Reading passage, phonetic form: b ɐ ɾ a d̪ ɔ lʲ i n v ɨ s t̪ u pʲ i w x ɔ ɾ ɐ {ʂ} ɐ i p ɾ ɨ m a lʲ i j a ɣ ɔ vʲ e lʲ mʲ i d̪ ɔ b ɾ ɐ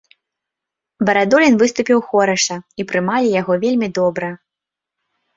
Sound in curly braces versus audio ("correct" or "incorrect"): correct